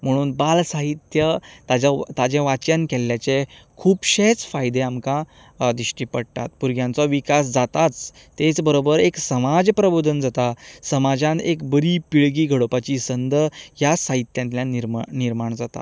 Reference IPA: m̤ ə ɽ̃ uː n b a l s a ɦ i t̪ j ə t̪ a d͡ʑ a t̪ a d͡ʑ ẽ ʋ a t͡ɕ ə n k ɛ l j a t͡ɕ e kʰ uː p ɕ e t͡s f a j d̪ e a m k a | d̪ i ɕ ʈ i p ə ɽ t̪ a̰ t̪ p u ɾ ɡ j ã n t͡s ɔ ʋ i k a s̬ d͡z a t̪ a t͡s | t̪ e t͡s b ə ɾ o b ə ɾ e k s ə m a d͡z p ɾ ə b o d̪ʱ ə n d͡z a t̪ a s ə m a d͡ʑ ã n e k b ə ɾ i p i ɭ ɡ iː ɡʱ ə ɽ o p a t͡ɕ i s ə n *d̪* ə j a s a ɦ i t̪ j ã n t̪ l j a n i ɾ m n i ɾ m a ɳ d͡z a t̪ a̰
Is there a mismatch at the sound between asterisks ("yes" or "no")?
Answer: no